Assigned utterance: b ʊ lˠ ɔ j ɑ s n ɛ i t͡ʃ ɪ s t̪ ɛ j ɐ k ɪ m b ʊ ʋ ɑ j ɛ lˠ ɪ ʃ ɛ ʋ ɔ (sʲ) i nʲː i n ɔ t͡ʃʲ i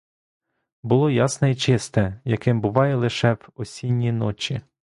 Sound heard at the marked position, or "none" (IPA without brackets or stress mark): sʲ